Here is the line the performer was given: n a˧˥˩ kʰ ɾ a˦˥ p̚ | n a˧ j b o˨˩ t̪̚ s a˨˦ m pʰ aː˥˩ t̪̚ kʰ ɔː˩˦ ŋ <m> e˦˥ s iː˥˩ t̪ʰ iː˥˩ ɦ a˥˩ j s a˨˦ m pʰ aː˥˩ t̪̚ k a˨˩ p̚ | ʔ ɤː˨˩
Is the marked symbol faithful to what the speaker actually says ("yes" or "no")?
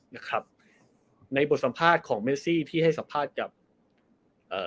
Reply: yes